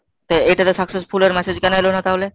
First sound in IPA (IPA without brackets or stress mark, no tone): t̪